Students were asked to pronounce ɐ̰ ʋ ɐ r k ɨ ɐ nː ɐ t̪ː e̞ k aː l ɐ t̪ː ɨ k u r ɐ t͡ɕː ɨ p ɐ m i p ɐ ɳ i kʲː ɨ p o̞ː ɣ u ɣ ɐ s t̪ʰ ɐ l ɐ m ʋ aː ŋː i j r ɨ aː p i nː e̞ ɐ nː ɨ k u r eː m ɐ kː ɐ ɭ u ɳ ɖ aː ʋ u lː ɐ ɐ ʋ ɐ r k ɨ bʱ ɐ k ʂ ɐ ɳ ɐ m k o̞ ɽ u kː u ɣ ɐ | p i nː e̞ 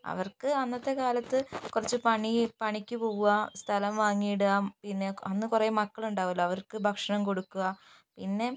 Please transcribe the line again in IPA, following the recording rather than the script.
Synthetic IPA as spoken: ɐ̰ ʋ ɐ r k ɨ ɐ nː ɐ t̪ː e̞ k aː l ɐ t̪ː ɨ k u r ɐ t͡ɕː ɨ p ɐ ɳ i p ɐ ɳ i kʲː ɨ p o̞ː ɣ u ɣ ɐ s t̪ʰ ɐ l ɐ m ʋ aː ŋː i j ɽ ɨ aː p i nː e̞ ɐ nː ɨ k u r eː m ɐ kː ɐ ɭ u ɳ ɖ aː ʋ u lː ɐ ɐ ʋ ɐ r k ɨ bʱ ɐ k ʂ ɐ ɳ ɐ m k o̞ ɽ u kː u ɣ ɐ | p i nː e̞

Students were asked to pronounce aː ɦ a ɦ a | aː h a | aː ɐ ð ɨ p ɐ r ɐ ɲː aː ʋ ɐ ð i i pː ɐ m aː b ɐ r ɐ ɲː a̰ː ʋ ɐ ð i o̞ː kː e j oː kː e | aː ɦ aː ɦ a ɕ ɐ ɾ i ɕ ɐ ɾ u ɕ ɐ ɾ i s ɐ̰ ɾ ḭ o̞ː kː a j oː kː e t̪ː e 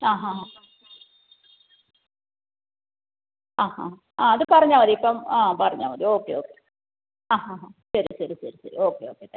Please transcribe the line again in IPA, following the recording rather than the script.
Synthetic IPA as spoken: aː ɦ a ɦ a | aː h a | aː ɐ ð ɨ p ɐ r ɐ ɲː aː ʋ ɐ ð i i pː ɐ m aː p ɐ r ɐ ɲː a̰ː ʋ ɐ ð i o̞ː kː e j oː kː e | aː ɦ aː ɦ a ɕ ɐ ɾ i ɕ ɐ ɾ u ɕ ɐ ɾ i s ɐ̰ ɾ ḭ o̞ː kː e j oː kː e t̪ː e

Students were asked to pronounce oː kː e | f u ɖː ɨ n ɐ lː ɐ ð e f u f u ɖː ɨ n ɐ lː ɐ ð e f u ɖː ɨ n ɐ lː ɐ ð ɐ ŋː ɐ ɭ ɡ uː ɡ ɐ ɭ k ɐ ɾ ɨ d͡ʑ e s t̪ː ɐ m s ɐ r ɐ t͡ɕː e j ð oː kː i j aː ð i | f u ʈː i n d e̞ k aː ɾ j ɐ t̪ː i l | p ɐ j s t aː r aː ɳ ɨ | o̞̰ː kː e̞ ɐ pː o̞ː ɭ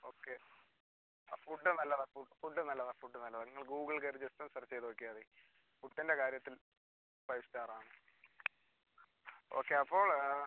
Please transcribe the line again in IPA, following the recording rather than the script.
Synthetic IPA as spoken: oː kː e | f u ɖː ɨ n ɐ lː ɐ ð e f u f u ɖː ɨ n ɐ lː ɐ ð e f u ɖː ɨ n ɐ lː ɐ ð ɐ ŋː ɐ ɭ ɡ uː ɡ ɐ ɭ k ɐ ɾ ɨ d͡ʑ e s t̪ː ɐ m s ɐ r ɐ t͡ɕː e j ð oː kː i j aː ð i | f u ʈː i n d e̞ k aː ɾ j ɐ t̪ː i l | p ɐ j s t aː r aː ɳ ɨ | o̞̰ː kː e̞ ɐ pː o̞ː ɭ

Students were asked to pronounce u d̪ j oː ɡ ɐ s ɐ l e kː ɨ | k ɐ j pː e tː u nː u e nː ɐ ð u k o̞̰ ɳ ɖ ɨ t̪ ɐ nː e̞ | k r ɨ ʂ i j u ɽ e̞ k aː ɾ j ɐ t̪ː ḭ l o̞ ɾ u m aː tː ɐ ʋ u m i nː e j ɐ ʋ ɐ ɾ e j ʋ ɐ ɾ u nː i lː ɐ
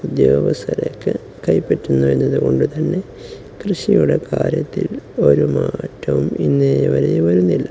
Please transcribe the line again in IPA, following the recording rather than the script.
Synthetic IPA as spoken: u d̪ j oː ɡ ɐ s ɐ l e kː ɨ | k ɐ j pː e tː u nː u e nː ɐ ð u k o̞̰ ɳ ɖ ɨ t̪ ɐ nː e̞ | k r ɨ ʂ i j u ɽ e̞ k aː ɾ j ɐ t̪ː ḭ l o̞ ɾ u m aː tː ɐ ʋ u m i nː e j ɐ ʋ ɐ ɾ e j ʋ ɐ ɾ u nː i lː ɐ

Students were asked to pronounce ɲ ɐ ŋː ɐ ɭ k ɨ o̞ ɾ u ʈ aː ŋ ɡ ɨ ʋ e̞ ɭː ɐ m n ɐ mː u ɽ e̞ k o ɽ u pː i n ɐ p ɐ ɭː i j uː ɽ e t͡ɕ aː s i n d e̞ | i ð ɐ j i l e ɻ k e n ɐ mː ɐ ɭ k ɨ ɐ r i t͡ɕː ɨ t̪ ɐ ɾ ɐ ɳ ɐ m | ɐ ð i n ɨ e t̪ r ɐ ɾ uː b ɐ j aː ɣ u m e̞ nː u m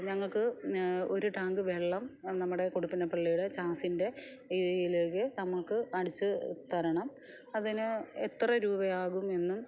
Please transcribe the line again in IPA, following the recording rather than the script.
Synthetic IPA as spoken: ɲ ɐ ŋː ɐ ɭ k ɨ o̞ ɾ u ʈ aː ŋ ɡ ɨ ʋ e̞ ɭː ɐ m n ɐ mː u ɽ e̞ k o ɽ u pː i n ɐ p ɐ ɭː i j u ɽ e t͡ɕ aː s i n d e̞ | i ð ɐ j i l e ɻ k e n ɐ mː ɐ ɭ k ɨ ɐ ɽ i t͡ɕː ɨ t̪ ɐ ɾ ɐ ɳ ɐ m | ɐ ð i n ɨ e t̪ r ɐ ɾ uː b ɐ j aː ɣ u m e̞ nː u m

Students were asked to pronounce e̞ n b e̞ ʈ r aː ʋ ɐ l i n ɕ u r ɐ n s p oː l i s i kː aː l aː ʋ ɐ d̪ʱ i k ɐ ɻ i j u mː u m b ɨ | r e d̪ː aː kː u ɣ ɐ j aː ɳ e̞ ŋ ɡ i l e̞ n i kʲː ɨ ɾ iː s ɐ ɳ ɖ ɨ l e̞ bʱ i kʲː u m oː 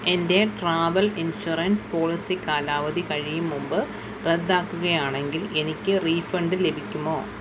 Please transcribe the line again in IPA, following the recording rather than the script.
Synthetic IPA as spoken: e̞ n d e̞ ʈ r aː ʋ ɐ l i n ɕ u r ɐ n s p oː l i s i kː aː l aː ʋ ɐ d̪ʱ i k ɐ ɻ i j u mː u m b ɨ | r e d̪ː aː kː u ɣ ɐ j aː ɳ e̞ ŋ ɡ i l e̞ n i kʲː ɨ r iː f ɐ ɳ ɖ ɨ l e̞ bʱ i kʲː u m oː

